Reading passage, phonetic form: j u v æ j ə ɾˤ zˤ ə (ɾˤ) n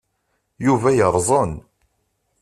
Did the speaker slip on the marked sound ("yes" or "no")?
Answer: yes